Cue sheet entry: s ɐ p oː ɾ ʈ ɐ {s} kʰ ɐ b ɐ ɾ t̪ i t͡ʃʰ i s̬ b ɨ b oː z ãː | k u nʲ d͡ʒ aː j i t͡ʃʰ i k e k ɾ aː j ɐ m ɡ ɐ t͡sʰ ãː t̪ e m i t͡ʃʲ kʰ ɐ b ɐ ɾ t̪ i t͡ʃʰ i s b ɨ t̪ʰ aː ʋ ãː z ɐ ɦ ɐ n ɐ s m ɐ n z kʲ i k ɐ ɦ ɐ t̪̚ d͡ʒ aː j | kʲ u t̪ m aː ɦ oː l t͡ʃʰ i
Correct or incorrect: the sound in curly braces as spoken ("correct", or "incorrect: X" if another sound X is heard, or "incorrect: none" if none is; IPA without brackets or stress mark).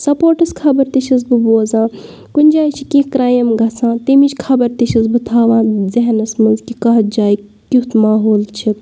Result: correct